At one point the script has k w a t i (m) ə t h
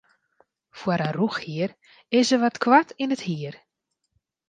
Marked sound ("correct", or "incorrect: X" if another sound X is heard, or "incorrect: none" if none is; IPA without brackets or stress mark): incorrect: n